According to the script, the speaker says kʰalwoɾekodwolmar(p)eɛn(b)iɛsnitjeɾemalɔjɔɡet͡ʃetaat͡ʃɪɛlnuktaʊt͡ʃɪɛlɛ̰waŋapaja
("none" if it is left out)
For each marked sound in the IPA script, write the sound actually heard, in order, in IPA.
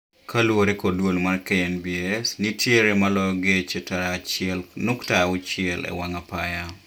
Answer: k, b

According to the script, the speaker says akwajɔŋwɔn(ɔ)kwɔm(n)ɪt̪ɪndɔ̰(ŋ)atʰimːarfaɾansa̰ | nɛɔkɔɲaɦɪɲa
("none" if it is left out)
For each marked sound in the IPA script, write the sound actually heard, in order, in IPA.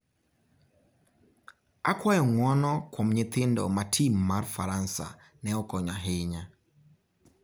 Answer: ɔ, ɲ, m

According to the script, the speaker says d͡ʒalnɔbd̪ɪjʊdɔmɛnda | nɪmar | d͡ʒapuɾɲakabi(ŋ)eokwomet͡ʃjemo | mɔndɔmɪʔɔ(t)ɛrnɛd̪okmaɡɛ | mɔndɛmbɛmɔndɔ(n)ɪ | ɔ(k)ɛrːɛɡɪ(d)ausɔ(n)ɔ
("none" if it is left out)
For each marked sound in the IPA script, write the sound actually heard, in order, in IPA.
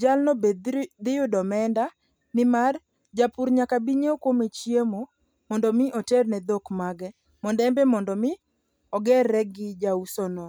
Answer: ɲ, t, m, ɡ, d͡ʒ, n

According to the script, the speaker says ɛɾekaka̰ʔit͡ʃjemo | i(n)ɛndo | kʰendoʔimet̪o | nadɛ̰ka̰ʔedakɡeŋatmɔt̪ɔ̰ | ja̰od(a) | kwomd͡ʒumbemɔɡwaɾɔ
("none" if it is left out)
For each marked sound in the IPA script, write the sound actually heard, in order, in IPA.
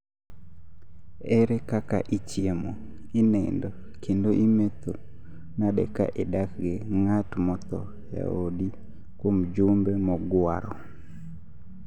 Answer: n, i

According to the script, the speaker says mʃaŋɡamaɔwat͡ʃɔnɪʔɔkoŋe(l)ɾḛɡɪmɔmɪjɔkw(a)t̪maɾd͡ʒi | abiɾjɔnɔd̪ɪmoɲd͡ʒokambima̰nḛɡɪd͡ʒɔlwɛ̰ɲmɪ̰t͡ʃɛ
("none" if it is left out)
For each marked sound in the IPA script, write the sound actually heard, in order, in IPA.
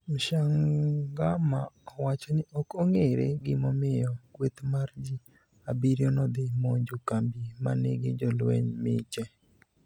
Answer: none, e

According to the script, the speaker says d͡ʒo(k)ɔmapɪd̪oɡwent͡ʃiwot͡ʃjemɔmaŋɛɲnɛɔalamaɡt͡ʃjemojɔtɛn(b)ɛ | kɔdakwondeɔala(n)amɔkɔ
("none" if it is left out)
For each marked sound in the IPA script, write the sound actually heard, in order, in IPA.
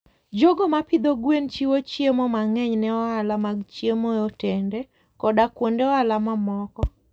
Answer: ɡ, d, m

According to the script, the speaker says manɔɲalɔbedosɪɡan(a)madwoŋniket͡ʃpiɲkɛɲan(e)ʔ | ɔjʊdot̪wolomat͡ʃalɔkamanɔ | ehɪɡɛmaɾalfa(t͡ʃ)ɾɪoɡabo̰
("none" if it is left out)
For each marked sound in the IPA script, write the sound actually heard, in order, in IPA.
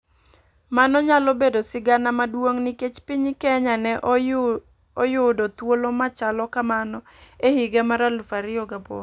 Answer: a, ɛ, none

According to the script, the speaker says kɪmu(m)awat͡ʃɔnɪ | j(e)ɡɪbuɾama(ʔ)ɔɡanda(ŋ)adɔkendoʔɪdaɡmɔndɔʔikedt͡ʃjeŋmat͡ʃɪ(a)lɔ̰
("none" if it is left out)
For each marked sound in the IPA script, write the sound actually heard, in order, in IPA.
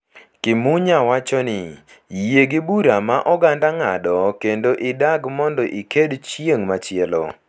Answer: ɲ, e, ʔ, ŋ, ɛ

